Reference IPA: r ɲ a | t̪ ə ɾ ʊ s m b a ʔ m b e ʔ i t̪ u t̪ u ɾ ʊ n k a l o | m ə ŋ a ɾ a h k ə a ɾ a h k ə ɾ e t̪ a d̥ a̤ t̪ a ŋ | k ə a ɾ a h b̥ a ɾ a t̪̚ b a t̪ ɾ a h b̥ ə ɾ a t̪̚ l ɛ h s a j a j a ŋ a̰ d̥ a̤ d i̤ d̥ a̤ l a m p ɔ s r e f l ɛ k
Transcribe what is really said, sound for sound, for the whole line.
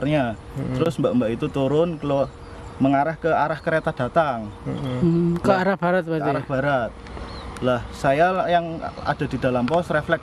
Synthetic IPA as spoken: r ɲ a | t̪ ə ɾ ʊ s m b a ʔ m b a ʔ i t̪ u t̪ u ɾ ʊ n k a l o | m ə ŋ a ɾ a h k ə a ɾ a h k ə ɾ e t̪ a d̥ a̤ t̪ a ŋ | k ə a ɾ a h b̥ a ɾ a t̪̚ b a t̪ ɾ a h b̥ a ɾ a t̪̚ l a h s a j a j a ŋ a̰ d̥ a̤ d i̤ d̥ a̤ l a m p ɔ s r e f l ɛ k